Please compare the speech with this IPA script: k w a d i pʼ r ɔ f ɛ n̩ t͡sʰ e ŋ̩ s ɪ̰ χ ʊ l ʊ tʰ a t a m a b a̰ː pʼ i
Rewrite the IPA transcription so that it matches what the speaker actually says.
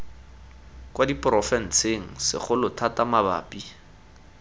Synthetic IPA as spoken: k w a d i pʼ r ɔ f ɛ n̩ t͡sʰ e ŋ̩ s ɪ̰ χ ʊ l ʊ tʰ a t a m a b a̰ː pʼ i